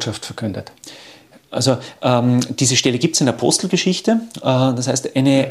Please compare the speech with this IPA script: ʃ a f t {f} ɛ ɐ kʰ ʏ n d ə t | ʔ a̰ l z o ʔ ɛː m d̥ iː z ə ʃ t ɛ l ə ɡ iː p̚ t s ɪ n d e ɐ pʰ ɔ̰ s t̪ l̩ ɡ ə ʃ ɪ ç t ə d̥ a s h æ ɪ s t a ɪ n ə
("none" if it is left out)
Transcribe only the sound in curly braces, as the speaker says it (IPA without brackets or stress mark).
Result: f